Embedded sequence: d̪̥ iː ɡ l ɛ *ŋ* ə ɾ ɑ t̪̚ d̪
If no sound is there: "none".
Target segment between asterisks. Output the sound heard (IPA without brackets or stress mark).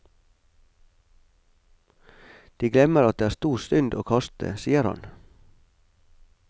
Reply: m